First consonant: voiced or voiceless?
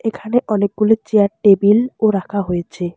voiceless